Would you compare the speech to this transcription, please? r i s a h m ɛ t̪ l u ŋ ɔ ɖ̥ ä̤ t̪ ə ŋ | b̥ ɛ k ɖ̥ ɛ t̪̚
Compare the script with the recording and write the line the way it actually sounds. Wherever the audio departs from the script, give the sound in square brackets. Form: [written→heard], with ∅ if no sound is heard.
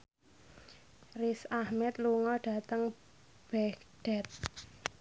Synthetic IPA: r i s a h m ɛ t̪ l u ŋ ɔ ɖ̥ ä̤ t̪ ə ŋ | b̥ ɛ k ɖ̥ ɛ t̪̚